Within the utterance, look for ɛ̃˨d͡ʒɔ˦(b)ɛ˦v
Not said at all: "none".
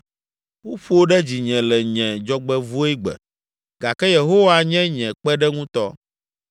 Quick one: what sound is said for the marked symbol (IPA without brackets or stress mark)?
ɡ͡b